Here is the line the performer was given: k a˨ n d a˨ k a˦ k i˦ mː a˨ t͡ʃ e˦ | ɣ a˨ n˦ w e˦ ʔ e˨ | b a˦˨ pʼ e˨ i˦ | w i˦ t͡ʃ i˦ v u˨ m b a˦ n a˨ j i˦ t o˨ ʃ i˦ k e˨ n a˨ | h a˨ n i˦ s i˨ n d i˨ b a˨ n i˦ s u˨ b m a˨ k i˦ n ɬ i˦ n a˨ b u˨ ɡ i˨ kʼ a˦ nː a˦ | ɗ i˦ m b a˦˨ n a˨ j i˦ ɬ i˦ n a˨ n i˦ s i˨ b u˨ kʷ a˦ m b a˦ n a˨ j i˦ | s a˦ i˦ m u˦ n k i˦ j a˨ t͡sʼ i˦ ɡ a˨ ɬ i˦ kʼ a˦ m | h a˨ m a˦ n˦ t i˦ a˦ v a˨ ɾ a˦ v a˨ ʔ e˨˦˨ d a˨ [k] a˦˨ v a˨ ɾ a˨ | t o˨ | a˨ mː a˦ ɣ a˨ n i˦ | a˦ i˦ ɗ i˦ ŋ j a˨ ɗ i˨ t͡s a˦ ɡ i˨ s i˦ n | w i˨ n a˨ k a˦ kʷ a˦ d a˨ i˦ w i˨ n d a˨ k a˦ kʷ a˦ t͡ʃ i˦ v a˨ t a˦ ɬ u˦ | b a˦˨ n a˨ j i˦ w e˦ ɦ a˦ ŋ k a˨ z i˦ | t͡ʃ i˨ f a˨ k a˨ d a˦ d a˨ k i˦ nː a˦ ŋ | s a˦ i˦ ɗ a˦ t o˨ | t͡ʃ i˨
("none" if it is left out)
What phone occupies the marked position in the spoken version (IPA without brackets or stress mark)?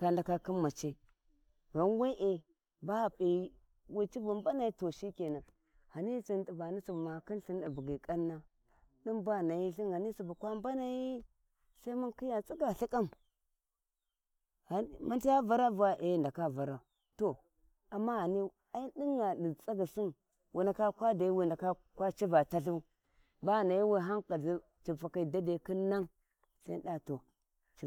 k